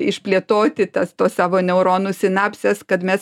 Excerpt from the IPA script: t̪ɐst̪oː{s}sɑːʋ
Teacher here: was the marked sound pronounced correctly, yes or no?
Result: yes